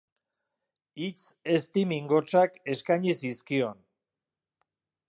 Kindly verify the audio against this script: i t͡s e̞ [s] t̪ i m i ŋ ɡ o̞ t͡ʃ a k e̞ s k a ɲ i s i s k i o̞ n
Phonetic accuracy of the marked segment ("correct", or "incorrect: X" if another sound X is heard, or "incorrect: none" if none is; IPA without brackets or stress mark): correct